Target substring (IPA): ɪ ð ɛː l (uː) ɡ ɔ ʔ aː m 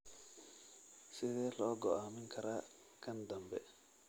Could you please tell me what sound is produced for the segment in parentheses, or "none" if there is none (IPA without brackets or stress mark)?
ɔː